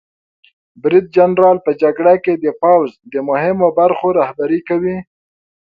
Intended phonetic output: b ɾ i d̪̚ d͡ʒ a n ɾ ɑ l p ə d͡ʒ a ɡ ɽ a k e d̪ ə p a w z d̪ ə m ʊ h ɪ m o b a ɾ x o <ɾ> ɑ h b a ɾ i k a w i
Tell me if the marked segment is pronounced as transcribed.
yes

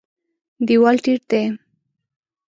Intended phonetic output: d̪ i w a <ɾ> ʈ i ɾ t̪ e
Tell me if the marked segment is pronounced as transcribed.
no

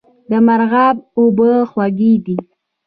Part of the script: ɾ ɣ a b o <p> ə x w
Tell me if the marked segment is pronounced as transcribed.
no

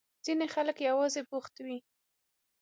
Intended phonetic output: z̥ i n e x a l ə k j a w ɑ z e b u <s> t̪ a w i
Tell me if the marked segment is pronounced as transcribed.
no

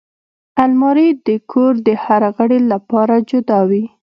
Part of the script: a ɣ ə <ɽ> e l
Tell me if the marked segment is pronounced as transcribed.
yes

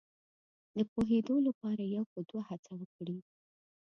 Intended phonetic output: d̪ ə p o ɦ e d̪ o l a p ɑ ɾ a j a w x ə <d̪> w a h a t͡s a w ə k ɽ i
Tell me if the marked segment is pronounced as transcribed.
yes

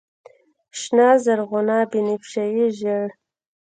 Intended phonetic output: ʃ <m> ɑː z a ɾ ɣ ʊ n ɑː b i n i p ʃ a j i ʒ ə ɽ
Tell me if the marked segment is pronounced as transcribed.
no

